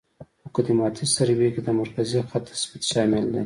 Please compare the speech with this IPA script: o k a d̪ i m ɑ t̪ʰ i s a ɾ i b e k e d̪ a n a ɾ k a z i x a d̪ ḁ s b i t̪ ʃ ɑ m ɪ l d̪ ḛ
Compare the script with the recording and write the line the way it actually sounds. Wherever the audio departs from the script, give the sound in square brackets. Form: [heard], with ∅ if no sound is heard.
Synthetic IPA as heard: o k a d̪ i m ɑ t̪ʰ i s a ɾ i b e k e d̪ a [m] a ɾ k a z i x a [t̪] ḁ s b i t̪ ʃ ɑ m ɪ l d̪ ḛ

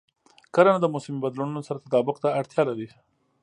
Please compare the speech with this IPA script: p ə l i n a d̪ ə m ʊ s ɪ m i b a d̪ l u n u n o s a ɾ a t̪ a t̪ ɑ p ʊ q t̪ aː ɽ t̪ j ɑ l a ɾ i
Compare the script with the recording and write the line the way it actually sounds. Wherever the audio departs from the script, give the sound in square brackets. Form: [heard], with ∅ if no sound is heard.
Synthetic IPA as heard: [k] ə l [a] n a d̪ ə m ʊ s ɪ m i b a d̪ l u n u n o s a ɾ a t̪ a t̪ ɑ [b] ʊ q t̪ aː ɽ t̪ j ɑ l a ɾ i

